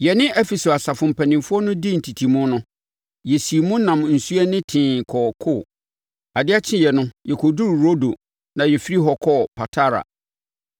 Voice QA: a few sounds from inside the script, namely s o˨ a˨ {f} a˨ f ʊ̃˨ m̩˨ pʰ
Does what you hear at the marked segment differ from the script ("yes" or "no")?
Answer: yes